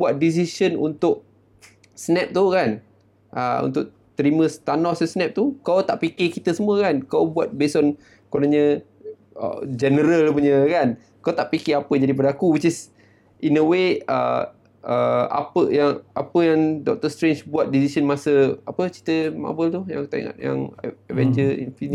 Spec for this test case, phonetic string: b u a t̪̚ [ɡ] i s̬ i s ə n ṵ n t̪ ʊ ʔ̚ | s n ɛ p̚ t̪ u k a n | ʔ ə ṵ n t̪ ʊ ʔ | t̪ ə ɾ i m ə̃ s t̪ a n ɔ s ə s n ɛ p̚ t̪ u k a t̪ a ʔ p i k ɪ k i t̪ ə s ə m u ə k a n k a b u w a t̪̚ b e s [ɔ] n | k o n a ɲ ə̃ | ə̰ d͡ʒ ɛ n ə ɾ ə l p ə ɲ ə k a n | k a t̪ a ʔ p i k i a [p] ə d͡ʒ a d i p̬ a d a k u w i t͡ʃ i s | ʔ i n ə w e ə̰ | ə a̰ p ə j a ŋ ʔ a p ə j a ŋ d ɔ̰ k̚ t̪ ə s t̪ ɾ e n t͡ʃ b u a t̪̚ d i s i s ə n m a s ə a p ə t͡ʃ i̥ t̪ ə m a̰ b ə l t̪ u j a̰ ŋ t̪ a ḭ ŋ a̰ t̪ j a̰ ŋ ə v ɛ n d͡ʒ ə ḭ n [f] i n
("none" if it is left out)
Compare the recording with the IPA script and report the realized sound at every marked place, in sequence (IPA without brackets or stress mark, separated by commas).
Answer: d, ɔ, p, f